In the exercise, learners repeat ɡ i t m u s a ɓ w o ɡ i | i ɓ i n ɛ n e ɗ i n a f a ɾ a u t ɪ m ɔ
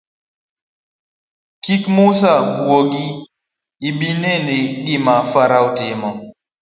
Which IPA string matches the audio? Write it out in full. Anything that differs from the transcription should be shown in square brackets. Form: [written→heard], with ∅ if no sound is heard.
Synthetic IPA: [ɡ→k] i [t→k] m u s a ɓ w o ɡ i | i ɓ i n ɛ n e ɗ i [n→m] a f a ɾ a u t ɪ m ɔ